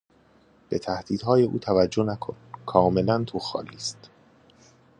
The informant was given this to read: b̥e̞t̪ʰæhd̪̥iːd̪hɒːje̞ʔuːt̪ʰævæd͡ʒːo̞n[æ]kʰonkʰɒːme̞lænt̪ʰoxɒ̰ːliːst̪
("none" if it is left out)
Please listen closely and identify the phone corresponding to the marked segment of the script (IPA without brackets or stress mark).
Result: æ